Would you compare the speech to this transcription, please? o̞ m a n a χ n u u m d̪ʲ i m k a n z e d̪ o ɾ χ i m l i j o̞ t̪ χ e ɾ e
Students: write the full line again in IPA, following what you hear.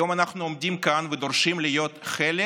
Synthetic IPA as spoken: o̞ m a n a χ n u o m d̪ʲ i m k a n v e d̪ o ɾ ʃ i m l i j o̞ t̪ χ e l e